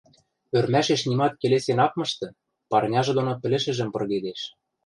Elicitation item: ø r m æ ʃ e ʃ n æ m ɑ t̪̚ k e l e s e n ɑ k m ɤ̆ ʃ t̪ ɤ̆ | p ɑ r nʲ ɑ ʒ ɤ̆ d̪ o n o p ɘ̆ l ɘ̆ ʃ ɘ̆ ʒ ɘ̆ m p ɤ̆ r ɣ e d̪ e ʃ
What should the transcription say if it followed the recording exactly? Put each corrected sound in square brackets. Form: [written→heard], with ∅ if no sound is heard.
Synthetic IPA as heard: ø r m æ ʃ e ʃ n [æ→i] m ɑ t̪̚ k e l e s e n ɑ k m ɤ̆ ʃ t̪ ɤ̆ | p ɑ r nʲ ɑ ʒ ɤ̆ d̪ o n o p ɘ̆ l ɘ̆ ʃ ɘ̆ ʒ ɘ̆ m p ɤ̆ r ɣ e d̪ e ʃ